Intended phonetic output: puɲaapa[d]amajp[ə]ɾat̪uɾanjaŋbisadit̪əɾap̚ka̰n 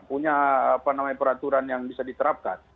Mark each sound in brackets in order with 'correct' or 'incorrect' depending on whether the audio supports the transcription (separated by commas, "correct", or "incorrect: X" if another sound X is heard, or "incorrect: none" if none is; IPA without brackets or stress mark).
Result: incorrect: n, correct